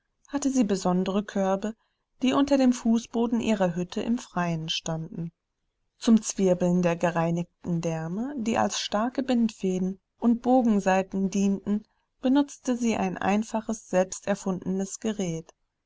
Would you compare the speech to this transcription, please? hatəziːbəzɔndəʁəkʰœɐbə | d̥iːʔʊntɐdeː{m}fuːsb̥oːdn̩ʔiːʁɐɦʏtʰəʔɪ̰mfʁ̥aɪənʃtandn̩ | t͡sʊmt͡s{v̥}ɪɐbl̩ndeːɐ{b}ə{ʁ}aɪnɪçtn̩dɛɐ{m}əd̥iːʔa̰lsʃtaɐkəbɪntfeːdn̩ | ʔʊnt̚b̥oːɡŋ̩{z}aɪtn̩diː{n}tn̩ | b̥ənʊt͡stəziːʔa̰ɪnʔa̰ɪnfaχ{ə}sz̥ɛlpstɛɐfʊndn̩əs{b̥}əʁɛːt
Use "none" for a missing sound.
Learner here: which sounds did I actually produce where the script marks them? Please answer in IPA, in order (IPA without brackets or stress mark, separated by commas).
m, v̥, ɡ, ʁ, m, z, n, ə, ɡ̥